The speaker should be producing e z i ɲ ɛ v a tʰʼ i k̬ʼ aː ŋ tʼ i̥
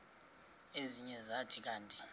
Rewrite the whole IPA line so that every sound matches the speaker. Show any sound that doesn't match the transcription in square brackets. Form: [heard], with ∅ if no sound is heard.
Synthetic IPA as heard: e z i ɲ ɛ [z] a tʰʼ i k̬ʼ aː [n] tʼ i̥